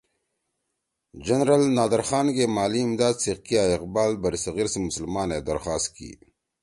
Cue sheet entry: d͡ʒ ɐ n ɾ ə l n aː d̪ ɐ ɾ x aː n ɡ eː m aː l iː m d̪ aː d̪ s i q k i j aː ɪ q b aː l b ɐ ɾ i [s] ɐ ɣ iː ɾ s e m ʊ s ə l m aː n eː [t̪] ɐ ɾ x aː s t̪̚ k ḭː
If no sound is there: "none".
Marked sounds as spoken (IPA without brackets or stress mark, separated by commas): s, d̪